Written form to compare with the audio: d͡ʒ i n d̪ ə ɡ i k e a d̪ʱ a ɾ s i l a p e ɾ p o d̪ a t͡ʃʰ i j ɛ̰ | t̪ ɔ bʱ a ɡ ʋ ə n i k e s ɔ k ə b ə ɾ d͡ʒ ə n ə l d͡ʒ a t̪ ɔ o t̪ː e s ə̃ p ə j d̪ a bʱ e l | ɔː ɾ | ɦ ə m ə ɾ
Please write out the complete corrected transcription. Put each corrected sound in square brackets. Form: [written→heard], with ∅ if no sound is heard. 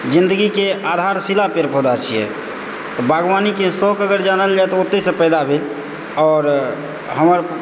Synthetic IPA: d͡ʒ i n d̪ ə ɡ i k e a d̪ʱ a ɾ s i l a p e ɾ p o d̪ a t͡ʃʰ i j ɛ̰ | t̪ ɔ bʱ a ɡ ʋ [ə→a] n i k e s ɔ k ə [b→ɡ] ə ɾ d͡ʒ [ə→a] n ə l d͡ʒ a t̪ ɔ o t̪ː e s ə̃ p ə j d̪ a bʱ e l | ɔː ɾ | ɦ ə m ə ɾ